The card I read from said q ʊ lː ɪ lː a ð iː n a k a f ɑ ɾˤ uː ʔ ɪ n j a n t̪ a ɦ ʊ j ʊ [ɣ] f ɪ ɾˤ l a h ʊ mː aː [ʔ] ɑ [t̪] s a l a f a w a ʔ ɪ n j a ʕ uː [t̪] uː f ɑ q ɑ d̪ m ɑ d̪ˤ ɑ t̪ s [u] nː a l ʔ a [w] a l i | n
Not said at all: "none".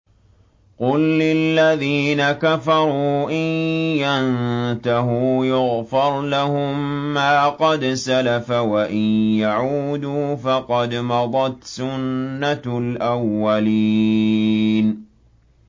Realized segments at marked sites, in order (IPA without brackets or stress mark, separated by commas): ɣ, q, d̪, d̪, ʊ, wː